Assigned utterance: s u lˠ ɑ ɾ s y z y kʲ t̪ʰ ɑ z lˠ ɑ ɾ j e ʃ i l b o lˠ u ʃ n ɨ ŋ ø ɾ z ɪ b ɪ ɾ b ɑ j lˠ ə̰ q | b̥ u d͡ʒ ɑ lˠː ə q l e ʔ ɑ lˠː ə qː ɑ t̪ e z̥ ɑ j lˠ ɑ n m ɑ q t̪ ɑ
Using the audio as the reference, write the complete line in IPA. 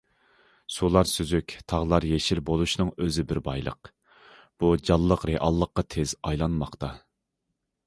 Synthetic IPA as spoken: s u lˠ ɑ ɾ s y z y kʲ t̪ʰ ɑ ʁ lˠ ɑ ɾ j e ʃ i l b o lˠ u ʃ n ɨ ŋ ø z ɪ b ɪ ɾ b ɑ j lˠ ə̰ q | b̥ u d͡ʒ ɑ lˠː ə q ɾ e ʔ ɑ lˠː ə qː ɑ t̪ʰ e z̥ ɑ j lˠ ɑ n m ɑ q t̪ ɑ